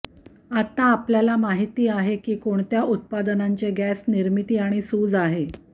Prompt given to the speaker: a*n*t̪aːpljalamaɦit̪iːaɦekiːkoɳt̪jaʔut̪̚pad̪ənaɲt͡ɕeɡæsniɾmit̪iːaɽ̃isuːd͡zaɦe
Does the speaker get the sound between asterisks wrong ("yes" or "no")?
yes